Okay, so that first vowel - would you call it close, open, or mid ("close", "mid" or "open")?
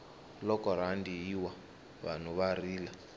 mid